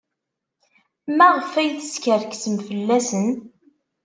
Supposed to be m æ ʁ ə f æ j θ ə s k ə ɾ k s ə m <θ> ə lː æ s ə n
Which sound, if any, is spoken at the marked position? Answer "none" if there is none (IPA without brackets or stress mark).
f